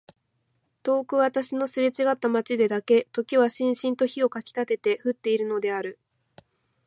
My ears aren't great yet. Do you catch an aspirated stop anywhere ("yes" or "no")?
no